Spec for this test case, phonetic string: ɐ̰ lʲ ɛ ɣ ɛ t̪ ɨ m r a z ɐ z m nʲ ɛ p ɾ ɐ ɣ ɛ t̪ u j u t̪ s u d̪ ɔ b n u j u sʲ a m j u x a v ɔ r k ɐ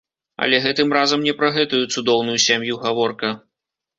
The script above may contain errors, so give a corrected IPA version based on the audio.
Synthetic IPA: ɐ̰ lʲ ɛ ɣ ɛ t̪ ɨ m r a z ɐ m nʲ ɛ p ɾ ɐ ɣ ɛ t̪ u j u t̪ s u d̪ ɔ w n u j u sʲ a m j u ɣ a v ɔ r k ɐ